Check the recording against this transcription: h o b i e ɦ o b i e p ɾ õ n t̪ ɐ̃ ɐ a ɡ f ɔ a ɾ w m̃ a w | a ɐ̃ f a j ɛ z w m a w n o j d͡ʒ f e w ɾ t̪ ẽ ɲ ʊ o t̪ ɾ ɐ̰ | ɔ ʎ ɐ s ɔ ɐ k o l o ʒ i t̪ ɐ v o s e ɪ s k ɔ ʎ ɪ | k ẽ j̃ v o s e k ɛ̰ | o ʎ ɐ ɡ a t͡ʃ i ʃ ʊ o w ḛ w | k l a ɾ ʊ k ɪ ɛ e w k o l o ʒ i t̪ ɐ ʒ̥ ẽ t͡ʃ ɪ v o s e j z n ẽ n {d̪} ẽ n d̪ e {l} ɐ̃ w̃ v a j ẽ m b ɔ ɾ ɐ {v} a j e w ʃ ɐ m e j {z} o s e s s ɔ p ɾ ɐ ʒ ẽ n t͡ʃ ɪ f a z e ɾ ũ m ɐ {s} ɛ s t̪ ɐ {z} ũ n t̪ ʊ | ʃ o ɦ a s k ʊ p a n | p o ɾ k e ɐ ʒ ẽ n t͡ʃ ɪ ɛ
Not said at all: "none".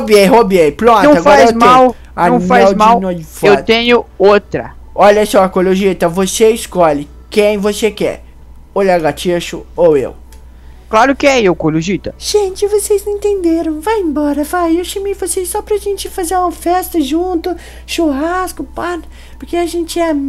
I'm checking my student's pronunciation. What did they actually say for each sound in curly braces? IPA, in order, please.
t̪, ɾ, v, v, f, ʒ

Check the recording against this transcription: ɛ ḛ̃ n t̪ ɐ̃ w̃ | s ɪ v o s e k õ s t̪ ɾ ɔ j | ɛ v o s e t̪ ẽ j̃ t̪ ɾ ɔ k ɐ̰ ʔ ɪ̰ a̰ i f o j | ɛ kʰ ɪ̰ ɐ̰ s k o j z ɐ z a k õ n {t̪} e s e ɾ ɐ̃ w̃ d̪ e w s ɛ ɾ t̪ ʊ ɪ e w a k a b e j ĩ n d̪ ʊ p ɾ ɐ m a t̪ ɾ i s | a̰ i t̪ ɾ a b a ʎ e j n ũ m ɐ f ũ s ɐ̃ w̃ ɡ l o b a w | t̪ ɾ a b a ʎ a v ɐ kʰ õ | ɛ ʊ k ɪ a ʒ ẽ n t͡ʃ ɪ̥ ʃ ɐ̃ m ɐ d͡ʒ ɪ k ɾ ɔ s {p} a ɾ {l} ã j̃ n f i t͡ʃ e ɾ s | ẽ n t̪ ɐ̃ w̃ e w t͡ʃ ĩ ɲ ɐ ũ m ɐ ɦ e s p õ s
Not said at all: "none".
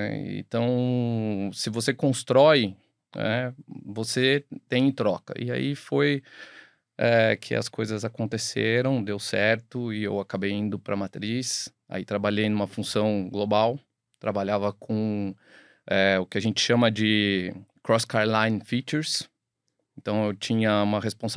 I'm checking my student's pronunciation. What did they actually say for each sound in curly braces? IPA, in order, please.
t̪, k, l

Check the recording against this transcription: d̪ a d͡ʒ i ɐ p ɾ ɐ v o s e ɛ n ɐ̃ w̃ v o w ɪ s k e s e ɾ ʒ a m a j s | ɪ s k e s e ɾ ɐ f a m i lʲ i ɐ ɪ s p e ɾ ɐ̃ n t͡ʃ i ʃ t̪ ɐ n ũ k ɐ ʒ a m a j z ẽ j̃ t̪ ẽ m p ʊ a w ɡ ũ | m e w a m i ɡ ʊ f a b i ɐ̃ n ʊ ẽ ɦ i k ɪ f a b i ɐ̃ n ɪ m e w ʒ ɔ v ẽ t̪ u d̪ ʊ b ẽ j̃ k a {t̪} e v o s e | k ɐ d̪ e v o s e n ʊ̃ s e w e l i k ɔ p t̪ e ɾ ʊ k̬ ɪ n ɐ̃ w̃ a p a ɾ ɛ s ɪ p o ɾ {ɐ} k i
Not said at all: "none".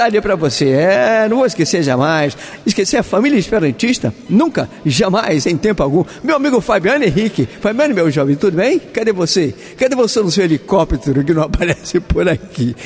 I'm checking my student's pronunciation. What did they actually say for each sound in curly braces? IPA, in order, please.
d̪, a

